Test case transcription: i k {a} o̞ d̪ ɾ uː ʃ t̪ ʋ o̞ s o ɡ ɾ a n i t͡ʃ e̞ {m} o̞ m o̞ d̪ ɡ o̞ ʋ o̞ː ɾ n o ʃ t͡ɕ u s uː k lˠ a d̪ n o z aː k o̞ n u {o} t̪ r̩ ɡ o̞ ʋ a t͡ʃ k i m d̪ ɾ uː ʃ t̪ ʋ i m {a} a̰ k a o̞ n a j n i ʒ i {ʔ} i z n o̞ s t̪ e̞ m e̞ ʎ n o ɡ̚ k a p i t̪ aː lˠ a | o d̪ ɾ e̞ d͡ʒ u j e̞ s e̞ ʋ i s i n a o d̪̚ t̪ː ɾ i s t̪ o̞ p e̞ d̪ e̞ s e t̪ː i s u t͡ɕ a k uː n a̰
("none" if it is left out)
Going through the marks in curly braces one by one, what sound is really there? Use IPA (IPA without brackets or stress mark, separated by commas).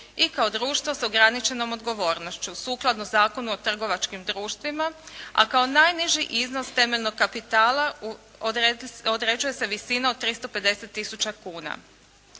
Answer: a, n, o, a, ʔ